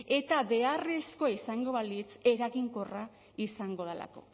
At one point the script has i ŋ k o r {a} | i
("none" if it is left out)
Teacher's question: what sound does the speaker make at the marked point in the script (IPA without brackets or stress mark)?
a